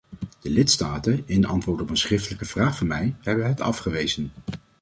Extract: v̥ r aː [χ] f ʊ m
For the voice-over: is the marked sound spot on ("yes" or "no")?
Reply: yes